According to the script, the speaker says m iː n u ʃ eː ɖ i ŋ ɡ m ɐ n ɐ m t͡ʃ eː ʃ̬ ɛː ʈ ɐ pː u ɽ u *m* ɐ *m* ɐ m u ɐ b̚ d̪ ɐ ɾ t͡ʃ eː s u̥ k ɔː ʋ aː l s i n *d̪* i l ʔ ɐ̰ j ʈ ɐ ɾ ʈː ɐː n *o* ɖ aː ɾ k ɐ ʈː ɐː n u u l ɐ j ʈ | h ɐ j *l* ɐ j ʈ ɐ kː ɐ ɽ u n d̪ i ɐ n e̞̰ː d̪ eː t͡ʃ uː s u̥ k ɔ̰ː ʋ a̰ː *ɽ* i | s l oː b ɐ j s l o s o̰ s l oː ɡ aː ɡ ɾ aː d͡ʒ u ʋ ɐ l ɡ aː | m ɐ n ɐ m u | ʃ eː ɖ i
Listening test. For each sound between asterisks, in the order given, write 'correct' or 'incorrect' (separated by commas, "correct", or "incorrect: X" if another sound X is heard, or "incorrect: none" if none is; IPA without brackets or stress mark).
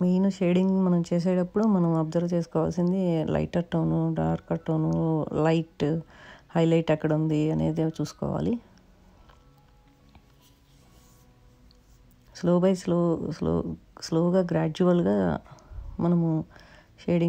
correct, incorrect: n, correct, incorrect: u, correct, incorrect: l